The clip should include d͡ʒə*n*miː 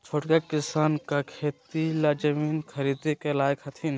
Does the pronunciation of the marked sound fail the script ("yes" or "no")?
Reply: yes